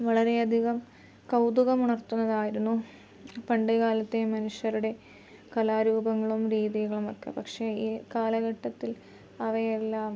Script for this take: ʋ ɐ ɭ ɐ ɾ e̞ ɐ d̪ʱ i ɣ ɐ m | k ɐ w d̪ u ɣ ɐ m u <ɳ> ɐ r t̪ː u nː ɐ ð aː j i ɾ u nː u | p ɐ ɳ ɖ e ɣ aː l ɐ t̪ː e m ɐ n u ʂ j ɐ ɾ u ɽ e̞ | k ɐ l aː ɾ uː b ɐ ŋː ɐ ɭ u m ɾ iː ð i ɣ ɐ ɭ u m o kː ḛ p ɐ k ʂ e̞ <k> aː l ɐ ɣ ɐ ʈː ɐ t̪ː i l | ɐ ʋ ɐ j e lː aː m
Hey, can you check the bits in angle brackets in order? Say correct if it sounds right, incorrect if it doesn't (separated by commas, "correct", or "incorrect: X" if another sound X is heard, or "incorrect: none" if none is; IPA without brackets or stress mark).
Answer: correct, correct